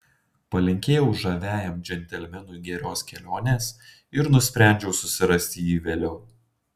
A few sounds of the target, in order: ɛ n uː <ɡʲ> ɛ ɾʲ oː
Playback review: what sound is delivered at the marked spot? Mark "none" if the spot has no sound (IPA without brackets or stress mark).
ɡʲ